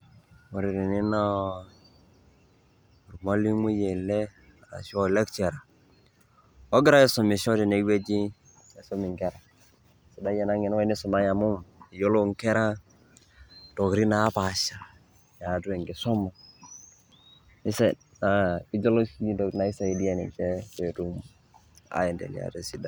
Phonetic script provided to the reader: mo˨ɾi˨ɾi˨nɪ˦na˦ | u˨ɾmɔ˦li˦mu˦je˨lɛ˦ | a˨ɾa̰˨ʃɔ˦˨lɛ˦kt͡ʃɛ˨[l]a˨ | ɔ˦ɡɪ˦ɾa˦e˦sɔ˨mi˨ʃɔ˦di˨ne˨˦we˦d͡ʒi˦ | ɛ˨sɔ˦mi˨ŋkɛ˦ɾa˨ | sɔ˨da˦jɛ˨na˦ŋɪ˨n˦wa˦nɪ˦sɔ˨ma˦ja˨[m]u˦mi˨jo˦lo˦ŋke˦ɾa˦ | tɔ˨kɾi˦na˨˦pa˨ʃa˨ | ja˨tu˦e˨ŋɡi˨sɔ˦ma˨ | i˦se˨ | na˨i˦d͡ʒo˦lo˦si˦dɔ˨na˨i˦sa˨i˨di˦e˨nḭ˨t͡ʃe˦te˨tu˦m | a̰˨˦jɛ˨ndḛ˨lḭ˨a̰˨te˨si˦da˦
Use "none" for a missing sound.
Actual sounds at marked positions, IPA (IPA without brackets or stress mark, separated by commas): ɾ, m